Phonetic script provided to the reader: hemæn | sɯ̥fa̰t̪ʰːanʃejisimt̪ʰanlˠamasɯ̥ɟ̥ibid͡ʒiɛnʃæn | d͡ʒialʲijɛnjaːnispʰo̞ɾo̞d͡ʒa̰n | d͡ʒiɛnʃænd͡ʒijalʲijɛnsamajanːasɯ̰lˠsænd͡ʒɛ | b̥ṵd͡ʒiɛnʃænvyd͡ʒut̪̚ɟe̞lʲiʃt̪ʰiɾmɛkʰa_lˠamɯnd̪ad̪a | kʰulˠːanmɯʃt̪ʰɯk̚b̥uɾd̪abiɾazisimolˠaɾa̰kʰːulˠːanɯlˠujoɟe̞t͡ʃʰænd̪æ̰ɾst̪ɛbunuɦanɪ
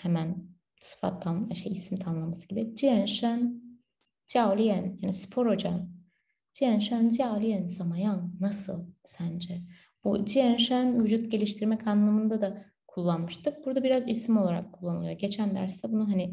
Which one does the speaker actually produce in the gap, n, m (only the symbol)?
n